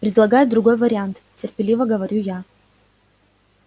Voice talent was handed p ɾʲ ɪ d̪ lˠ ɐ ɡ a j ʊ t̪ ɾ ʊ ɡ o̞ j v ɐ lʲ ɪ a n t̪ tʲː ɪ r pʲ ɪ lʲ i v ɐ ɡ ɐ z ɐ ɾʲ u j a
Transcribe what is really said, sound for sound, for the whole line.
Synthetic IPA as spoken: p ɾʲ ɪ d̪ lˠ ɐ ɡ a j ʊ d̪ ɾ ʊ ɡ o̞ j v ɐ ɾʲ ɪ a n t̪ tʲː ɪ r pʲ ɪ lʲ i v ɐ ɡ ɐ v ɐ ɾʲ u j a